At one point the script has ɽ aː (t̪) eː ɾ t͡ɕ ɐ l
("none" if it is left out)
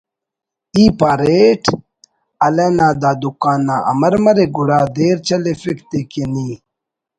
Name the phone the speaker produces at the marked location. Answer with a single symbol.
d̪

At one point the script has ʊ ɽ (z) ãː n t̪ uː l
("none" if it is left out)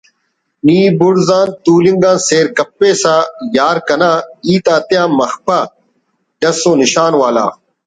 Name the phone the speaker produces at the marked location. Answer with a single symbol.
z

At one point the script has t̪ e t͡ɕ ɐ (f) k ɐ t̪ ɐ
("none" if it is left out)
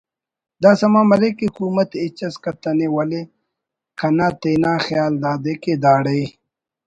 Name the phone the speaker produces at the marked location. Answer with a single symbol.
s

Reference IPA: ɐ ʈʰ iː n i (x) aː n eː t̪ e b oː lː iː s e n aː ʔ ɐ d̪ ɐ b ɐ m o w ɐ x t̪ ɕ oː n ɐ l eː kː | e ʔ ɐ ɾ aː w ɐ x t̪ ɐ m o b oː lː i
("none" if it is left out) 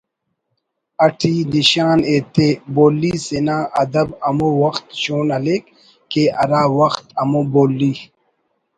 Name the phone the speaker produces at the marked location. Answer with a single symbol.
ɕ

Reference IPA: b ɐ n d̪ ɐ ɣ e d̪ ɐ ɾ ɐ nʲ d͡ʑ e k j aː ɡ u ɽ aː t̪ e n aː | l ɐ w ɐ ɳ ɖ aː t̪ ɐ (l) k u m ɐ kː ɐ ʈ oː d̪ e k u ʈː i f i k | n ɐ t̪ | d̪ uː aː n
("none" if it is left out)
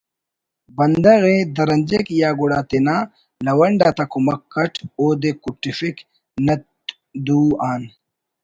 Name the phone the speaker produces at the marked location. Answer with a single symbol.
none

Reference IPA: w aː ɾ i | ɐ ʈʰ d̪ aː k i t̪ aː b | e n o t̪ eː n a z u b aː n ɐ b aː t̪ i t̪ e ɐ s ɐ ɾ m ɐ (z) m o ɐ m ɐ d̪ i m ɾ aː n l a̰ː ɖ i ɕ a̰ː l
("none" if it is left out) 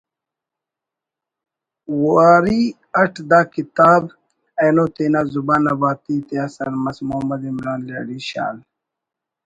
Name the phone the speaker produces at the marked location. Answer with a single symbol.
s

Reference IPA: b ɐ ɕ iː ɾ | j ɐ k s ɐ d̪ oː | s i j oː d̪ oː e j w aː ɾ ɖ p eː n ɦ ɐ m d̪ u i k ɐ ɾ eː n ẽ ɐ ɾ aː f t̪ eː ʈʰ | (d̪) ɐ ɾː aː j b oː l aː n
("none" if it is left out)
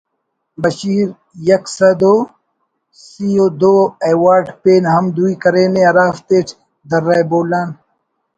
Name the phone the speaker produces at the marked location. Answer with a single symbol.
d̪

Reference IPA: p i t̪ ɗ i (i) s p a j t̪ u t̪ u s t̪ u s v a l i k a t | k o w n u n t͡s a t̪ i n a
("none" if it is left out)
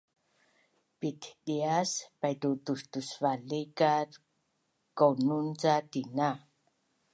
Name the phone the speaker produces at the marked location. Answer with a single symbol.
a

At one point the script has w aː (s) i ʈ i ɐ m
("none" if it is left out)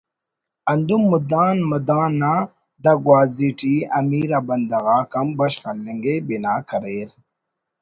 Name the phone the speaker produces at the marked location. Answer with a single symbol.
z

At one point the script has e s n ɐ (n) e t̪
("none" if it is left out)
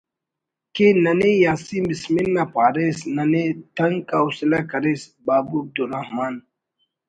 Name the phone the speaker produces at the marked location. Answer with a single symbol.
n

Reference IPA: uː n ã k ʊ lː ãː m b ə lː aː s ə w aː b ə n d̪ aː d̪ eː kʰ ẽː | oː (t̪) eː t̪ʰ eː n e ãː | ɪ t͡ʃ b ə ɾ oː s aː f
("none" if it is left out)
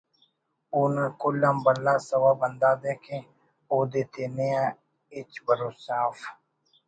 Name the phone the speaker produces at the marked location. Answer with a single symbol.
d̪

